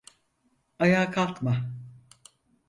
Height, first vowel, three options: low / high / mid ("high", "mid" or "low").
low